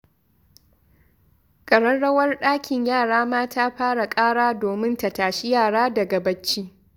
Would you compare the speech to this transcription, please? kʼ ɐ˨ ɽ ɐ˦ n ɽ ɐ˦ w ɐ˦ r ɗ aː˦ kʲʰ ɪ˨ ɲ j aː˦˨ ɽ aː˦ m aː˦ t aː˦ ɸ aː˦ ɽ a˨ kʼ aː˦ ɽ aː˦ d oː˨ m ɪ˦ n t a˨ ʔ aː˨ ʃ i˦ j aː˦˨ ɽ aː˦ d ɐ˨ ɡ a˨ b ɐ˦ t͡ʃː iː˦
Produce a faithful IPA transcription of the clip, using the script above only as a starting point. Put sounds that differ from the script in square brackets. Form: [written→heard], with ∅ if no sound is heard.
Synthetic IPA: kʼ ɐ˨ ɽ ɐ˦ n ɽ ɐ˦ w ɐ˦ r ɗ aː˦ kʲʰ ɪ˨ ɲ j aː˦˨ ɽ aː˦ m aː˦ t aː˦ ɸ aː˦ ɽ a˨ kʼ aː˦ ɽ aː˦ d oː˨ m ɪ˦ n t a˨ [ʔ→t] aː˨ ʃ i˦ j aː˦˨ ɽ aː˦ d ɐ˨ ɡ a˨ b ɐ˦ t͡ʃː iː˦